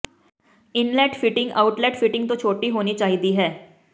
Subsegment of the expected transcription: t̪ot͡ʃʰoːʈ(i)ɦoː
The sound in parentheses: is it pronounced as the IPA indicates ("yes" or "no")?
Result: yes